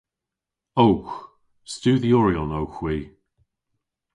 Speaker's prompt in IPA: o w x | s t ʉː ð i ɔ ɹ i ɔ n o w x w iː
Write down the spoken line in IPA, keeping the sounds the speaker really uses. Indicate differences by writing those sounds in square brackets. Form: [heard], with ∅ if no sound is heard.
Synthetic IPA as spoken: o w x | s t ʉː ð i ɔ ɹ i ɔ n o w x w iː